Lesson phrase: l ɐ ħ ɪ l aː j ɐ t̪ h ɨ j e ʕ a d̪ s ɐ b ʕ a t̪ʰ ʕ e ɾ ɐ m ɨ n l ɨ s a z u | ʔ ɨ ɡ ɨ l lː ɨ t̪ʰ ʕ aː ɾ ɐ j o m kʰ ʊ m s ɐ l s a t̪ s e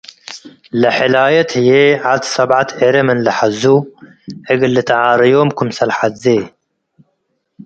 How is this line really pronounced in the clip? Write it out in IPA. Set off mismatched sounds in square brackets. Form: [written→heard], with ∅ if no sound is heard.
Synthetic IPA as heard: l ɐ ħ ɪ l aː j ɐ t̪ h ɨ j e ʕ a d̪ s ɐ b ʕ a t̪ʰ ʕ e ɾ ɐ m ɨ n l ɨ [s→ħ] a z u | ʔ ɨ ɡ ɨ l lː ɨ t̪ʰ ʕ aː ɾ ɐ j o m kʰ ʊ m s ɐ l [s→ħ] a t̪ [s→z] e